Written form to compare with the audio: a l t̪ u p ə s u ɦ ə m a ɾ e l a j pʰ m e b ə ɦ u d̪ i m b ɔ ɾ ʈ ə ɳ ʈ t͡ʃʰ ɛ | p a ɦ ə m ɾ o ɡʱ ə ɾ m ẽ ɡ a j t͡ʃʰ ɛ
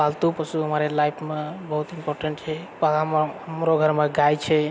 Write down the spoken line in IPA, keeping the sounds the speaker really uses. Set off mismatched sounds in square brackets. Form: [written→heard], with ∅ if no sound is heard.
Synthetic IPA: a l t̪ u p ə s u ɦ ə m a ɾ e l a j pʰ m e b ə ɦ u [d̪→t̪] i m [b→p] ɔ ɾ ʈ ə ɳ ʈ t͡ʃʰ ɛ | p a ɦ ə m ɾ o ɡʱ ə ɾ m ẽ ɡ a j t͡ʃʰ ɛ